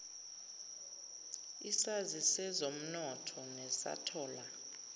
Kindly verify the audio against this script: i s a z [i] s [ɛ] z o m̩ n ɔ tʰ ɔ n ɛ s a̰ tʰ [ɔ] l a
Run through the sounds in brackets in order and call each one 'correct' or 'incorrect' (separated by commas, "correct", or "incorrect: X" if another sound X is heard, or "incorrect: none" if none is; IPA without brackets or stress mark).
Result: correct, correct, incorrect: ɔː